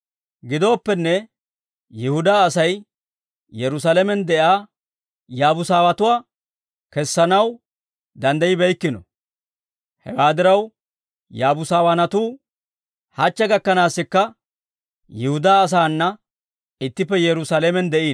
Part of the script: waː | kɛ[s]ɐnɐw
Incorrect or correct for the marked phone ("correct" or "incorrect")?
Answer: incorrect